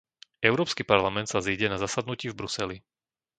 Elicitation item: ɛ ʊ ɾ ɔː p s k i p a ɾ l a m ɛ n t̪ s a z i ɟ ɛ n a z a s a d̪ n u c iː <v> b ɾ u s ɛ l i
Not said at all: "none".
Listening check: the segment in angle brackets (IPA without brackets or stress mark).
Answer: v